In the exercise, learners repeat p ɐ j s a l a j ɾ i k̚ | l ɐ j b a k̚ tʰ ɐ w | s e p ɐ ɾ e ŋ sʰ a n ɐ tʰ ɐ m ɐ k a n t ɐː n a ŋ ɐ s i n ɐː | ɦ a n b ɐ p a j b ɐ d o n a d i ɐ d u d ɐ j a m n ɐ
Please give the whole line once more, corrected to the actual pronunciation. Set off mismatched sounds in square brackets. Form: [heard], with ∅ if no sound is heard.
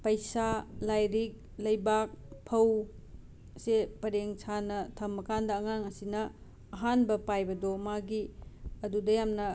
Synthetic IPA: p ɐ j s a l a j ɾ i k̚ | l ɐ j b a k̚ [pʰ] ɐ w | s e p ɐ ɾ e ŋ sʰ a n ɐ tʰ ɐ m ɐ k a n [d] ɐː [ŋ] a ŋ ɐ s i n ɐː | ɦ a n b ɐ p a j b ɐ d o [m] a [ɡ] i ɐ d u d ɐ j a m n ɐ